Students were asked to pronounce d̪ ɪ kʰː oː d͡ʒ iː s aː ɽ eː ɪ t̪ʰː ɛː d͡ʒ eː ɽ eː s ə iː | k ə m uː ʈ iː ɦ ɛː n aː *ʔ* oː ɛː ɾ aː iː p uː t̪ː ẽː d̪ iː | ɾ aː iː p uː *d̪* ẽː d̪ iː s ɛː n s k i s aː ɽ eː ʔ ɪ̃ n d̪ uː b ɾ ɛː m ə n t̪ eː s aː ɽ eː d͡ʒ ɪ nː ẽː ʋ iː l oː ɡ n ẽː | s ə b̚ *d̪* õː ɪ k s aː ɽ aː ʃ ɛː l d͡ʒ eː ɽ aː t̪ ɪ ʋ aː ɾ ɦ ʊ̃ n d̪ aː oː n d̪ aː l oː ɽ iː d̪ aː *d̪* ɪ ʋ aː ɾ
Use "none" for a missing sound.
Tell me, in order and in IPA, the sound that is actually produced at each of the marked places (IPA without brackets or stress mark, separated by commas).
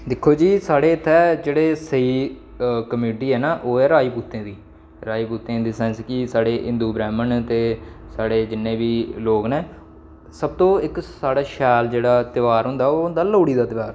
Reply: ʔ, t̪, t̪, t̪